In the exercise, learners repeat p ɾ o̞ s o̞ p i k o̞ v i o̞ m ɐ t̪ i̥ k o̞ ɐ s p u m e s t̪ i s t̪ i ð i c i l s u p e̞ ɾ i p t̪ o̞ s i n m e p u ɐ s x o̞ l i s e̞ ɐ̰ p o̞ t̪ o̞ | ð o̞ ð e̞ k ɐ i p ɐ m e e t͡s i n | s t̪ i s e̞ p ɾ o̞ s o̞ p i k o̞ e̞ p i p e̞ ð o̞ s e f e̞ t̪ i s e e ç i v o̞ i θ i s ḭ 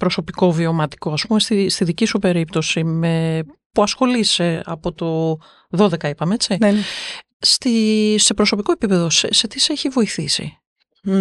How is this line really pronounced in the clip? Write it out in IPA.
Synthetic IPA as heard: p ɾ o̞ s o̞ p i k o̞ v i o̞ m ɐ t̪ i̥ k o̞ ɐ s p u m e s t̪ i s t̪ i ð i c i s u p e̞ ɾ i p t̪ o̞ s i m e p u ɐ s x o̞ l i s e̞ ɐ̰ p o̞ t̪ o̞ | ð o̞ ð e̞ k ɐ i p ɐ m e e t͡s i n | s t̪ i s e̞ p ɾ o̞ s o̞ p i k o̞ e̞ p i p e̞ ð o̞ s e s e̞ t̪ i s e e ç i v o̞ i θ i s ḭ